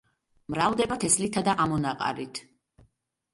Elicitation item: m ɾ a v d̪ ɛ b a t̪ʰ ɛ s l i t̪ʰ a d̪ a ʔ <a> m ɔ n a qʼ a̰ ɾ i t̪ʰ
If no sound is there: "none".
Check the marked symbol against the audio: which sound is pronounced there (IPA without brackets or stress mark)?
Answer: a